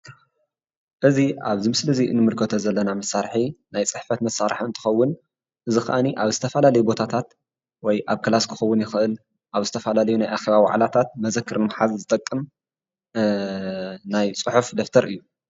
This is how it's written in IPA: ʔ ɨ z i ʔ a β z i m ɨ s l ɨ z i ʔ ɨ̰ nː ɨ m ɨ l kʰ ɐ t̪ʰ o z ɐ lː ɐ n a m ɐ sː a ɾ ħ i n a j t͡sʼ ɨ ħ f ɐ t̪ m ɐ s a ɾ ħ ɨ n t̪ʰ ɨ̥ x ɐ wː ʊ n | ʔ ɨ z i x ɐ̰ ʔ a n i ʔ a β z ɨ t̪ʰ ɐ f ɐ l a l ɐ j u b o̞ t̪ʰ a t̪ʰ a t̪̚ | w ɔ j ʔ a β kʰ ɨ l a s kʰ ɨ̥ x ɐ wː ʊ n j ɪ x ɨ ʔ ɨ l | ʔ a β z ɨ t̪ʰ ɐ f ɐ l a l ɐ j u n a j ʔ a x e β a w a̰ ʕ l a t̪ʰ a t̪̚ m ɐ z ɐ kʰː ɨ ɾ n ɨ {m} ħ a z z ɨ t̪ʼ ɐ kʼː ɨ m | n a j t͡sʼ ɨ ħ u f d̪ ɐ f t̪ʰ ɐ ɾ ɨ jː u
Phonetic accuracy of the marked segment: correct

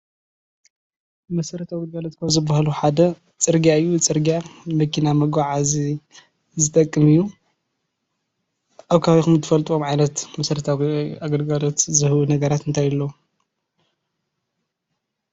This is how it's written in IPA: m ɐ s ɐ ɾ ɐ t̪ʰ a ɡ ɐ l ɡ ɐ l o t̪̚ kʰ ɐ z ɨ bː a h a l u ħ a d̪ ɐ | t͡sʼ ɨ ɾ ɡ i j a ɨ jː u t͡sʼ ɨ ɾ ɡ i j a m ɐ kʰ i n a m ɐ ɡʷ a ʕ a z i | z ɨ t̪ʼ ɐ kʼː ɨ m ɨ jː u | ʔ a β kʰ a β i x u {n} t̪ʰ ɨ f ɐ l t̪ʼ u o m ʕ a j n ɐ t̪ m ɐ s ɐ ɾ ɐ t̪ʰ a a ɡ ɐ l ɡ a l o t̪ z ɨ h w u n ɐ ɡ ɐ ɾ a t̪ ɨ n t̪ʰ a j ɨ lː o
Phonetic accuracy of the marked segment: incorrect: m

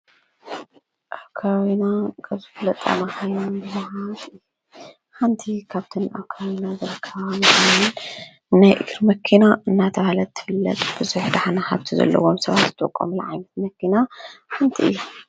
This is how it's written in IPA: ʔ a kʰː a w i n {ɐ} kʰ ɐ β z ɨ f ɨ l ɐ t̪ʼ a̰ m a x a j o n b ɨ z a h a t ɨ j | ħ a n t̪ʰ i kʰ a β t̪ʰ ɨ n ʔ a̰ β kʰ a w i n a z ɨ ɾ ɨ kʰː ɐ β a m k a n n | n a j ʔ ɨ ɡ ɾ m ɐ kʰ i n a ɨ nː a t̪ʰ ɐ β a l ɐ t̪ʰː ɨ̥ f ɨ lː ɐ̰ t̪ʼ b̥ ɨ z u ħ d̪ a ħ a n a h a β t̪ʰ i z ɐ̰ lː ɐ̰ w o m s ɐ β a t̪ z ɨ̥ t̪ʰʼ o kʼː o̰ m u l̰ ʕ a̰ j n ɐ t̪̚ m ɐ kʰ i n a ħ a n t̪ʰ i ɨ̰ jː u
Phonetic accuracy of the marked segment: incorrect: a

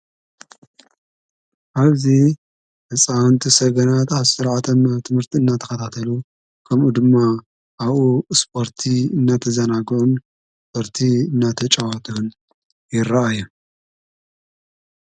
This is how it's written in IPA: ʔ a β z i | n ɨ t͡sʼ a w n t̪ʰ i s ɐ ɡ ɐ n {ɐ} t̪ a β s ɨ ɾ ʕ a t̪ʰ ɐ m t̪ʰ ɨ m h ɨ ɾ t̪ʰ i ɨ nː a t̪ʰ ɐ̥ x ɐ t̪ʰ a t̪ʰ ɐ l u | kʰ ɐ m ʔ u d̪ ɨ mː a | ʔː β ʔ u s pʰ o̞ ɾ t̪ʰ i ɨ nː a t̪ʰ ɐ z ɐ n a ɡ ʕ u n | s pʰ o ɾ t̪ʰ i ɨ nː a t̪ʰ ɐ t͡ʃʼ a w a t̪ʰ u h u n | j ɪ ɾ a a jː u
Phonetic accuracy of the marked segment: incorrect: a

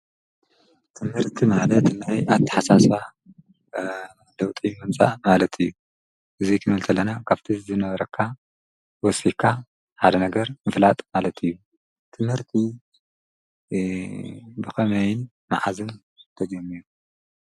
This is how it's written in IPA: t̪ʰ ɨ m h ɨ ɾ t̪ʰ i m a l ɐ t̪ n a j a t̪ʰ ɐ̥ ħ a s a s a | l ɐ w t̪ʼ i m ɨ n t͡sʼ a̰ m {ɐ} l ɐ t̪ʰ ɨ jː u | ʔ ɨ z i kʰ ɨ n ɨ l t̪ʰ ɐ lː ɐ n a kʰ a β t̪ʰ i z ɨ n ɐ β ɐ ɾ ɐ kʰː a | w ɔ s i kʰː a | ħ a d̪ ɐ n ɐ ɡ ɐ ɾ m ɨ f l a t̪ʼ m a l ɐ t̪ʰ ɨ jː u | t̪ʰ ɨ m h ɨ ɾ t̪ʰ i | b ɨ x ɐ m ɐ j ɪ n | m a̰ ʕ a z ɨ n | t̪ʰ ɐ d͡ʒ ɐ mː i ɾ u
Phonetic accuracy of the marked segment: incorrect: a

